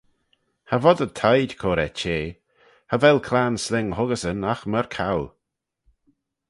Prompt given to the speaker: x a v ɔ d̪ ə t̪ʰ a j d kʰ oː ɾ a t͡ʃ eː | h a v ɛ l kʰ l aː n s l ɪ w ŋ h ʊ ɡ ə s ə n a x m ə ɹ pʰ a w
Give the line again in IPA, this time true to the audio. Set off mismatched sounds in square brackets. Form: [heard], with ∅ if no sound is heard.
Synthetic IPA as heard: [h] a v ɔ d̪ ə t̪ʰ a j d kʰ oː ɾ [ɛ] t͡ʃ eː | h a v ɛ l kʰ l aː n s l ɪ [∅] ŋ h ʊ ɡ ə s ə n a x m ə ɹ [kʰ] a w